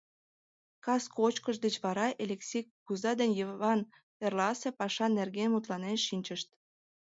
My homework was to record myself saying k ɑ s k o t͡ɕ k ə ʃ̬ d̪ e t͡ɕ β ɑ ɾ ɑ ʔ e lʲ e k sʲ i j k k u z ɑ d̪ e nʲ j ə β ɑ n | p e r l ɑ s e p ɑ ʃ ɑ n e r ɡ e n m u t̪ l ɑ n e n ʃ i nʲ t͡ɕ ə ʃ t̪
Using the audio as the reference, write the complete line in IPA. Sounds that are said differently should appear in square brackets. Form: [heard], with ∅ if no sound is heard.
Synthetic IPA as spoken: k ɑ s k o t͡ɕ k ə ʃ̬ d̪ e t͡ɕ β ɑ ɾ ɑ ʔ e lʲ e k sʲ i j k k u z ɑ d̪ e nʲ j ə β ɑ n | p e r l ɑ s e p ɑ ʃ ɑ n e r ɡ e n m u t̪ l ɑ n e n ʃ i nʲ t͡ɕ ə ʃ t̪